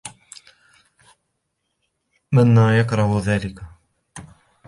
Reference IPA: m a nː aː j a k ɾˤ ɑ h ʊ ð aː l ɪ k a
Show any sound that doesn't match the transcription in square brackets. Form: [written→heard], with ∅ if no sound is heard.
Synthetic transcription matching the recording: m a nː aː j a k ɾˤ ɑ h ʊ ð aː l ɪ k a